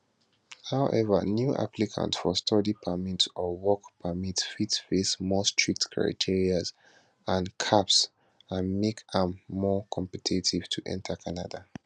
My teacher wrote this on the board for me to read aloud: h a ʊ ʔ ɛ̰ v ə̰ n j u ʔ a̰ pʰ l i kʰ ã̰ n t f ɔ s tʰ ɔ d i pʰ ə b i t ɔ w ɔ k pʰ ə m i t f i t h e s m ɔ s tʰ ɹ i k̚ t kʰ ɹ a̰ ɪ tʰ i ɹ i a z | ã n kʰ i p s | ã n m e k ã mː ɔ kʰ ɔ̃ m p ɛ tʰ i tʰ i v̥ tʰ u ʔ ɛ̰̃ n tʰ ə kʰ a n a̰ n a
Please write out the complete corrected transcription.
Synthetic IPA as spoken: h a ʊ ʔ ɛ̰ v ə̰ n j u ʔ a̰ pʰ l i kʰ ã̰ n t f ɔ s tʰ ɔ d i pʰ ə m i t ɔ w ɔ k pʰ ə m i t f i t f e s m ɔ s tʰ ɹ i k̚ t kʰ ɹ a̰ ɪ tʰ i ɹ i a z | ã n kʰ a p s | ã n m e k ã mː ɔ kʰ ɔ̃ m p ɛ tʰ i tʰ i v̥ tʰ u ʔ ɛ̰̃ n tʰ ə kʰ a n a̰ d a